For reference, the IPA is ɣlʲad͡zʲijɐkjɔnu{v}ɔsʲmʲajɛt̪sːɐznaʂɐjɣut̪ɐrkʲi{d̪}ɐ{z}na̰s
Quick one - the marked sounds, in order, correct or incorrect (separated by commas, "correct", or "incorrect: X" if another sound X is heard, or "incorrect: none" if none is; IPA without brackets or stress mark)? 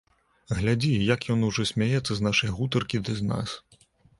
incorrect: ʐ, correct, correct